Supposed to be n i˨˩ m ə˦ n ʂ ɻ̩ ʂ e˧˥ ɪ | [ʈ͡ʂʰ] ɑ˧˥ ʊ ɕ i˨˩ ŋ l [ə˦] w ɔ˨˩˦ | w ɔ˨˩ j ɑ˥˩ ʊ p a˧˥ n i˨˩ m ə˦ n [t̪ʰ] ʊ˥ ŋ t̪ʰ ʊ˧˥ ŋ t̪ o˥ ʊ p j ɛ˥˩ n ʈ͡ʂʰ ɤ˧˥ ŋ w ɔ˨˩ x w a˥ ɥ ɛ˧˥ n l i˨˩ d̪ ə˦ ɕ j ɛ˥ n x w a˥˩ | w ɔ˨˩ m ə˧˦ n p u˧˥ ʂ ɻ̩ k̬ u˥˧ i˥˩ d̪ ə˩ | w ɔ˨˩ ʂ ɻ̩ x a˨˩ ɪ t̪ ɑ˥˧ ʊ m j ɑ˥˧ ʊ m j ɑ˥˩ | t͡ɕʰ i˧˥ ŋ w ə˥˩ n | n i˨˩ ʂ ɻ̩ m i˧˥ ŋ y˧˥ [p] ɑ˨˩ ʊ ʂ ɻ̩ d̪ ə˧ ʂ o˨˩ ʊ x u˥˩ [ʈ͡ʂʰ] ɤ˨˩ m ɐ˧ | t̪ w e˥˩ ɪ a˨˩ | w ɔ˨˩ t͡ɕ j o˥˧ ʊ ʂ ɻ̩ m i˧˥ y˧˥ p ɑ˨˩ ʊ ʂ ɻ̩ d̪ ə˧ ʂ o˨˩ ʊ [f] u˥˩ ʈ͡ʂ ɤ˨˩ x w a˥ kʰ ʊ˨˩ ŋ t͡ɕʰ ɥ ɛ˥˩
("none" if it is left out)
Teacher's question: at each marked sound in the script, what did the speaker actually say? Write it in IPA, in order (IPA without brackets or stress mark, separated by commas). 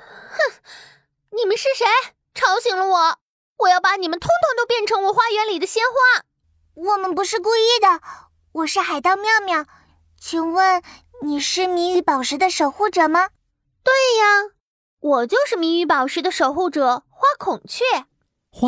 ʈ͡ʂʰ, ə˦, t̪ʰ, p, ʈ͡ʂ, x